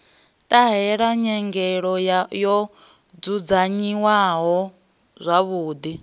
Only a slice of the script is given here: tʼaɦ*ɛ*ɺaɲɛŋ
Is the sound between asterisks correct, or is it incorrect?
correct